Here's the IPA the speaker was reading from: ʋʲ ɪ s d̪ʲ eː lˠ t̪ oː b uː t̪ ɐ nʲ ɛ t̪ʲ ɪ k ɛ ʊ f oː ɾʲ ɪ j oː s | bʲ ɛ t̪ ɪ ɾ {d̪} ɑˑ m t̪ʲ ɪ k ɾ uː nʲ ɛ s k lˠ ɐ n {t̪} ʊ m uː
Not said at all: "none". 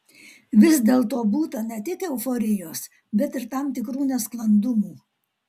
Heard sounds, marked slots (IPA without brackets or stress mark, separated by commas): t̪, d̪